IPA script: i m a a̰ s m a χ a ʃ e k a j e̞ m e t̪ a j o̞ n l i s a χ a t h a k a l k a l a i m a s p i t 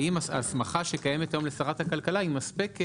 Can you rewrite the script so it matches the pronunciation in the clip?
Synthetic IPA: i m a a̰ s m a χ a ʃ e k a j e̞ m e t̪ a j o̞ m l e s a ʁ a t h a k a l k a l a i m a s p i k

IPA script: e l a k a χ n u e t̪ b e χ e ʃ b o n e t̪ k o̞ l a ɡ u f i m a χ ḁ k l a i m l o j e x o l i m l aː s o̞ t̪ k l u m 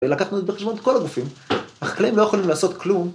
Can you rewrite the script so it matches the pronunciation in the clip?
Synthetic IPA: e l a k a χ n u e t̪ b e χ e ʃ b o n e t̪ k o̞ l a ɡ u f i m a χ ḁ k l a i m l o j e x o l i m l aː s o̞ t̪ k l u m

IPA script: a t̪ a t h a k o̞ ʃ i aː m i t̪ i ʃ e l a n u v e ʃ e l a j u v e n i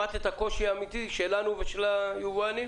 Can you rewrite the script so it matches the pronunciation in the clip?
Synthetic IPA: a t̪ e t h a k o̞ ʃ i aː m i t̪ i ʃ e l a n u v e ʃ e l a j u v a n i

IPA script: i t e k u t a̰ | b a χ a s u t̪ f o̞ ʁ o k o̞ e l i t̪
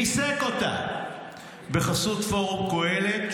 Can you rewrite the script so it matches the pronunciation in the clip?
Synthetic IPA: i s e k o t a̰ | b e χ a s u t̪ f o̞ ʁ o k o̞ e l e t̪

